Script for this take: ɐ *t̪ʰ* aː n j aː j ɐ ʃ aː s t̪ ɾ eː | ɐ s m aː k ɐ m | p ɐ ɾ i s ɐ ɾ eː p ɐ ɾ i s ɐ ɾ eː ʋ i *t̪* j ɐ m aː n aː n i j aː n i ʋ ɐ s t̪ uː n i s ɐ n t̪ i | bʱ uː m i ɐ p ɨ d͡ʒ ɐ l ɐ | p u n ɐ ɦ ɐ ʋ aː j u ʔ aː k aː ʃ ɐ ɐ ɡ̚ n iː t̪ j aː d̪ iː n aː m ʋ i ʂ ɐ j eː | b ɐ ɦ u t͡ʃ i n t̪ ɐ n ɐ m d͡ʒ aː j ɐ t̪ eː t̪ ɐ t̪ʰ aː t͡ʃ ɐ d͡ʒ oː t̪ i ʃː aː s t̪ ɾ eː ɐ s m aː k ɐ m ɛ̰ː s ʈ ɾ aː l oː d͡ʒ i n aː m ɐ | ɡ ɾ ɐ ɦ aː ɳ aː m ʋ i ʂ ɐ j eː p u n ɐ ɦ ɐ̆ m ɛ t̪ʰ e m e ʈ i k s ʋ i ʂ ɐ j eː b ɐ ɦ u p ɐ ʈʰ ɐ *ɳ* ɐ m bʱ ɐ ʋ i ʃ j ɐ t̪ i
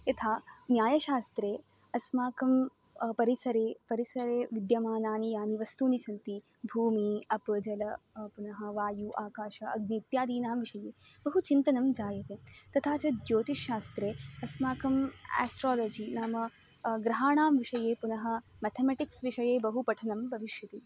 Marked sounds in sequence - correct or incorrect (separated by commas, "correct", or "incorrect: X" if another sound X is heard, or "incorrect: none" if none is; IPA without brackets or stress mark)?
correct, incorrect: d̪, incorrect: n